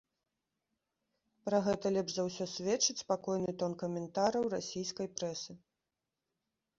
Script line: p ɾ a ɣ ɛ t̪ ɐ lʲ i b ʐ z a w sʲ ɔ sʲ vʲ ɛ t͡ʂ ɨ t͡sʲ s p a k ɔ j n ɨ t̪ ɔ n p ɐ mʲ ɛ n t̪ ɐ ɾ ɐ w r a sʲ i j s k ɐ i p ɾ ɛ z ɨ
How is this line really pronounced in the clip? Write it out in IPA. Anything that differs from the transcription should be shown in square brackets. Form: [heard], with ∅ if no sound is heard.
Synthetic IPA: p ɾ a ɣ ɛ t̪ ɐ lʲ [ɛ] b ʐ z a w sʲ ɔ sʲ vʲ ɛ t͡ʂ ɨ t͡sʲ s p a k ɔ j n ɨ t̪ ɔ n [k] ɐ mʲ ɛ n t̪ [a] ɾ ɐ w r a sʲ i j s k ɐ [j] p ɾ ɛ [s] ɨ